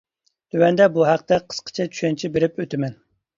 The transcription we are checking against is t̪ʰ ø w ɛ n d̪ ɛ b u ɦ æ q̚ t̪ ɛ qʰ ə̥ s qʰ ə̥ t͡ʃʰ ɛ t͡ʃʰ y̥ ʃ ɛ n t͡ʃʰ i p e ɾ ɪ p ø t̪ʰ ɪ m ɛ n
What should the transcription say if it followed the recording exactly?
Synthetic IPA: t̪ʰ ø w ɛ n d̪ ɛ b u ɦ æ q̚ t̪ ɛ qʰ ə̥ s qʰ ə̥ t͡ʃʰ ɛ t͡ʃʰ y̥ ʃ ɛ n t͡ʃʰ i b e ɾ ɪ p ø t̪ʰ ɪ m ɛ n